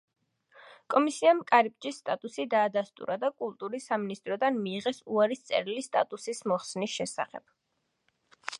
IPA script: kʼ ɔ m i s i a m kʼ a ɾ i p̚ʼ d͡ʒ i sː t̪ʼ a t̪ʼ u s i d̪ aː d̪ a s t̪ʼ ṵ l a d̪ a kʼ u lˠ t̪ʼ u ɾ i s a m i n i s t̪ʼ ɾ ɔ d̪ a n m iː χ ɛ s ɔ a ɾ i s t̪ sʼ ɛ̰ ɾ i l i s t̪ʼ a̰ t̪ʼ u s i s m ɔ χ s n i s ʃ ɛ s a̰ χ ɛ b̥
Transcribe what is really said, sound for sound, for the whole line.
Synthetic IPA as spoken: kʼ ɔ m i s i a m kʼ a ɾ i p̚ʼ d͡ʒ i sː t̪ʼ a t̪ʼ u s i d̪ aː d̪ a s t̪ʼ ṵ ɾ a d̪ a kʼ u lˠ t̪ʼ u ɾ i s a m i n i s t̪ʼ ɾ ɔ d̪ a n m iː ʁ ɛ s u a ɾ i s t̪ sʼ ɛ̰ ɾ i l i s t̪ʼ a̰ t̪ʼ u s i s m ɔ χ s n i s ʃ ɛ s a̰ χ ɛ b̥